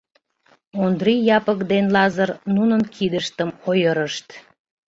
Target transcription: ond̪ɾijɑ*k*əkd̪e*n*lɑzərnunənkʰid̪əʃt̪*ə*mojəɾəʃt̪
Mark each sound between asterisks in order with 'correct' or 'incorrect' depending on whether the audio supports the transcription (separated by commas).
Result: incorrect, correct, correct